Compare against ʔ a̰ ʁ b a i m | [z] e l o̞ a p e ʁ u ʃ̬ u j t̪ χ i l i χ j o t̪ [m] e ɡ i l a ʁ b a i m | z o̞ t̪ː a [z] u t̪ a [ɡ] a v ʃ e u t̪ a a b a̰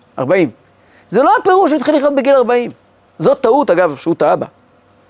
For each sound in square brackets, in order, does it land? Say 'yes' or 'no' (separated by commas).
yes, no, no, yes